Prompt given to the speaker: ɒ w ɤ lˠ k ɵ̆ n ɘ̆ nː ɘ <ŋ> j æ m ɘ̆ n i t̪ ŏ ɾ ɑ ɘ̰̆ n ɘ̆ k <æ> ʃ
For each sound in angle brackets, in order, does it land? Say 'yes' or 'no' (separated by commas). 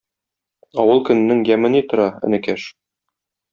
yes, yes